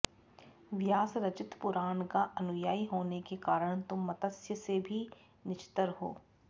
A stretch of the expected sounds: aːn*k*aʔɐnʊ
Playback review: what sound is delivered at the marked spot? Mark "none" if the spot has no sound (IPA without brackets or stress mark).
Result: k